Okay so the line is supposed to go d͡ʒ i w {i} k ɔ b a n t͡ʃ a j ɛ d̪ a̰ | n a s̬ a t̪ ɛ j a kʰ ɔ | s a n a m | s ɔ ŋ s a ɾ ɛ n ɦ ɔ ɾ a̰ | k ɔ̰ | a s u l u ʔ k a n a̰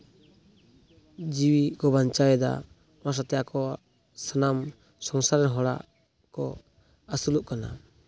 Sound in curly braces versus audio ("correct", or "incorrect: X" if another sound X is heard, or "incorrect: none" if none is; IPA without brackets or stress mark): correct